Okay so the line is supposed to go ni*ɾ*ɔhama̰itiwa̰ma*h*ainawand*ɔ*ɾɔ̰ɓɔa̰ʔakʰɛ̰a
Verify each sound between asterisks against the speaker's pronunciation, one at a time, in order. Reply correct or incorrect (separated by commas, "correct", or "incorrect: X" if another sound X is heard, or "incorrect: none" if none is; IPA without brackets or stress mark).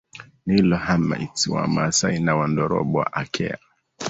incorrect: l, incorrect: s, correct